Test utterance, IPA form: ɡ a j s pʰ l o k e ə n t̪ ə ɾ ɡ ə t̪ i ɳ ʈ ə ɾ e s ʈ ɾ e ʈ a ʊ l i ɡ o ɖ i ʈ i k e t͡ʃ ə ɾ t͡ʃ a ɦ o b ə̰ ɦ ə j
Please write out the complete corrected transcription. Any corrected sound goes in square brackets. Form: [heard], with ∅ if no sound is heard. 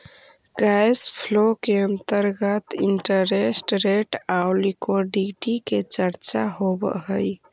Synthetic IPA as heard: ɡ a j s pʰ l o k e ə n t̪ ə ɾ ɡ ə t̪ i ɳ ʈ ə ɾ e s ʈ ɾ e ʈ a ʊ l i [k] o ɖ i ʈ i k e t͡ʃ ə ɾ t͡ʃ a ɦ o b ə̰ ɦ ə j